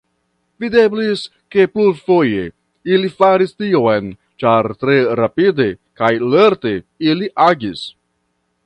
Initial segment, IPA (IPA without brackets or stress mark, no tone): v